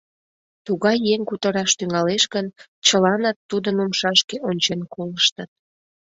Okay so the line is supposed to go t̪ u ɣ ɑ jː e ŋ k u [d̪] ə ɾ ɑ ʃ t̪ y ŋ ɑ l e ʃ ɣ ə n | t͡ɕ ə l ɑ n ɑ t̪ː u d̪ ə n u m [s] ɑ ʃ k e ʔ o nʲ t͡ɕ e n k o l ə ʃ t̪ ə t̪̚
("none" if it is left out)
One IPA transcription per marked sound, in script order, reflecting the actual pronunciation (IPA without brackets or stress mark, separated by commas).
t̪, ʃ